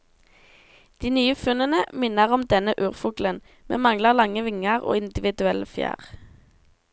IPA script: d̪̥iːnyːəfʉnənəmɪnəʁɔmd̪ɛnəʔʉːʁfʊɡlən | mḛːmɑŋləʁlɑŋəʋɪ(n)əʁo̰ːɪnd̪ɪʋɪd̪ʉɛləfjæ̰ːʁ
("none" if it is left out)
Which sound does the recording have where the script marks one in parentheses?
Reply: ŋ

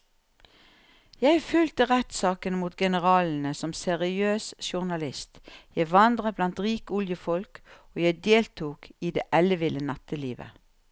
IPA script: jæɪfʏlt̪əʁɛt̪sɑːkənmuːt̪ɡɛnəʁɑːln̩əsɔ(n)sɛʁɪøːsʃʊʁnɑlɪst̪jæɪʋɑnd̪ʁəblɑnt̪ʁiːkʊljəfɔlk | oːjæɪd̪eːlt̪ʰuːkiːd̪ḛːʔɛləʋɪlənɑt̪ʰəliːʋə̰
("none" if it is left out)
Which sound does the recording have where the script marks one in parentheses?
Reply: m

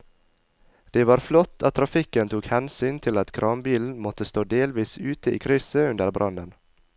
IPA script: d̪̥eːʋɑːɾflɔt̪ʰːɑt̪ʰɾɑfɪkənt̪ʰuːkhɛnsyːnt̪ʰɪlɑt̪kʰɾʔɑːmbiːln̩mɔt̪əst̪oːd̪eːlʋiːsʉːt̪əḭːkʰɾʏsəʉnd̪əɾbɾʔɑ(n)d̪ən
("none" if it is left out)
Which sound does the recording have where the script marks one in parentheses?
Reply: n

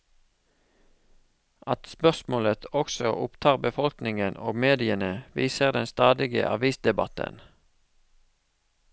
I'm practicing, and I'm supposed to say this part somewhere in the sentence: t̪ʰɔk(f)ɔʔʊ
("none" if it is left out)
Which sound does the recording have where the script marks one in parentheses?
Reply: s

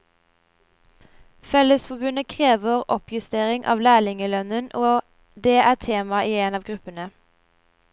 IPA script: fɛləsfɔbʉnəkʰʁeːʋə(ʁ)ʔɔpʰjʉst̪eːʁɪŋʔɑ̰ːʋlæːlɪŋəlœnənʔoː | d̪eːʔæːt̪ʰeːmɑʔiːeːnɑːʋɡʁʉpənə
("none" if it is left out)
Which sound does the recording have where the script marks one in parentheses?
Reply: ʁ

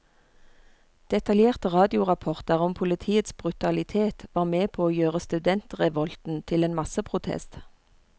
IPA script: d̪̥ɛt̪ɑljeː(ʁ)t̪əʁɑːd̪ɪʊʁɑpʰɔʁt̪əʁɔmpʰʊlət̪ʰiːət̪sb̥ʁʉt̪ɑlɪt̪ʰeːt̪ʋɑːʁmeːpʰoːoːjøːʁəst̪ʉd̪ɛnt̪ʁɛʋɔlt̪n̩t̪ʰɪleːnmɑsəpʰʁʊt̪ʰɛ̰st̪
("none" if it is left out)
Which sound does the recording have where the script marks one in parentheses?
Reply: ʁ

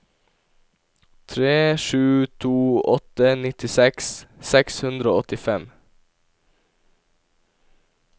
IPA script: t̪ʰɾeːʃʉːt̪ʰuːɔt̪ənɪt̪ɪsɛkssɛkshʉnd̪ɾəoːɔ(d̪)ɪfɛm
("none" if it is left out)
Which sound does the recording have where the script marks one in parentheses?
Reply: t̪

